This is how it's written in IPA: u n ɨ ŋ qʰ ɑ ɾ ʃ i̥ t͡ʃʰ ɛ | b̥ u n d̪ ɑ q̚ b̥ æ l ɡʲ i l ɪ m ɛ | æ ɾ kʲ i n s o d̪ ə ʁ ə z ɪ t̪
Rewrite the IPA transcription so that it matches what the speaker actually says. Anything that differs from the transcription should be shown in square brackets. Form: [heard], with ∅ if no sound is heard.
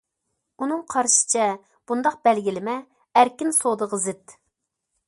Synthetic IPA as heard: u n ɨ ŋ qʰ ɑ ɾ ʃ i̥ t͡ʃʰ ɛ | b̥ u n d̪ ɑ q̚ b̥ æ l ɡʲ i l ɪ m ɛ | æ ɾ kʲ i n s o d̪ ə ʁ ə z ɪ t̪